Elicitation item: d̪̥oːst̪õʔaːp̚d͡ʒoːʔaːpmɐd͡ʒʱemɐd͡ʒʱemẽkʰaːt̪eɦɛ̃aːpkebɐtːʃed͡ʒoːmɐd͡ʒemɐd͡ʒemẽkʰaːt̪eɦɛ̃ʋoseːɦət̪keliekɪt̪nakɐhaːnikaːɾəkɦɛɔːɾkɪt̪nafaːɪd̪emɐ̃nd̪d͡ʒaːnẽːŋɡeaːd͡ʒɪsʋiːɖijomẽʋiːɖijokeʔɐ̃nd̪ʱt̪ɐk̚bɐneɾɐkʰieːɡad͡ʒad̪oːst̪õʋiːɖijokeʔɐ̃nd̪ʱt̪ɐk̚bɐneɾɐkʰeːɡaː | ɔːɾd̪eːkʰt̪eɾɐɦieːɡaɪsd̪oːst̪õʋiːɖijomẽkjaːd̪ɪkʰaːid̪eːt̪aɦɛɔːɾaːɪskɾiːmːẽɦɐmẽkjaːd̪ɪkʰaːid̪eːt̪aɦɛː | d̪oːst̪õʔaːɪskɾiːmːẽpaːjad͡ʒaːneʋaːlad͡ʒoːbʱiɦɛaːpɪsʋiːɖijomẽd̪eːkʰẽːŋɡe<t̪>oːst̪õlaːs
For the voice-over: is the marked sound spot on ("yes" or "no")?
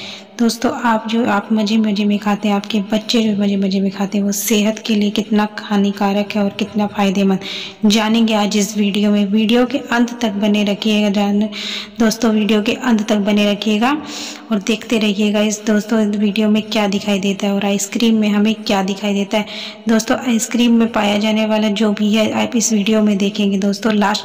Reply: no